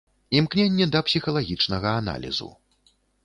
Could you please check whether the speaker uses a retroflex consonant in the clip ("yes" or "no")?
yes